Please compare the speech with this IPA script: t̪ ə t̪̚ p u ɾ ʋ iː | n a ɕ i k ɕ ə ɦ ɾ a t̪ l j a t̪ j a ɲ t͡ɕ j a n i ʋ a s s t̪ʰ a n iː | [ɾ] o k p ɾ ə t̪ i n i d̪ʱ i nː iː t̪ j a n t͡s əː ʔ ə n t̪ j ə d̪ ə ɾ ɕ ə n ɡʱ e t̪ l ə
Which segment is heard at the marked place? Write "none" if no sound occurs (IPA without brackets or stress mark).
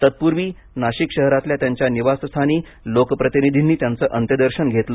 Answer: l